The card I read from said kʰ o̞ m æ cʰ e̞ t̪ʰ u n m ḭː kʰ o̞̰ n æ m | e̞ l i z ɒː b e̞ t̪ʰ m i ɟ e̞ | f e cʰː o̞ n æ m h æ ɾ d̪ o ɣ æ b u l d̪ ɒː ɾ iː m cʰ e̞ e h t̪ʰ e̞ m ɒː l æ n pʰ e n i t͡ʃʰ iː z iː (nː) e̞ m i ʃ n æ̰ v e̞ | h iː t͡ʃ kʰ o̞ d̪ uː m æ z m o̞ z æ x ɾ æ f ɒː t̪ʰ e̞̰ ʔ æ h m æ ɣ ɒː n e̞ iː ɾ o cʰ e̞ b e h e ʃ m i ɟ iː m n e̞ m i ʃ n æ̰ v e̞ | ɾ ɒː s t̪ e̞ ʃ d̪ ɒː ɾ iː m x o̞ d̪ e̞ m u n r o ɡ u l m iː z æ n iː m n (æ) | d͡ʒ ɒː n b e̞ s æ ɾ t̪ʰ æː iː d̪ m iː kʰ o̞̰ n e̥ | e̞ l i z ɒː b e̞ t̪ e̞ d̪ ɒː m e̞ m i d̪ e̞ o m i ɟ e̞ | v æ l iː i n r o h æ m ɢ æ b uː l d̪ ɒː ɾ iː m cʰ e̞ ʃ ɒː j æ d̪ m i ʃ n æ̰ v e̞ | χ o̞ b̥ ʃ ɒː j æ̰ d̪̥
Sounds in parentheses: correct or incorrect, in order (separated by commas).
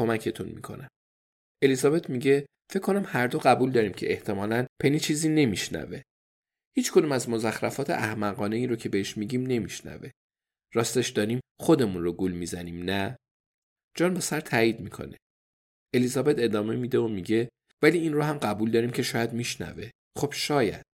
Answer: incorrect, correct